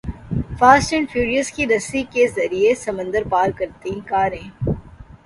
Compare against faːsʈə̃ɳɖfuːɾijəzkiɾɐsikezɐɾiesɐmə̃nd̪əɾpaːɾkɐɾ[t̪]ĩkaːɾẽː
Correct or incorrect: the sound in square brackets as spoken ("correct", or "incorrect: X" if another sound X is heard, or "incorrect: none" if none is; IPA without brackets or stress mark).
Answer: correct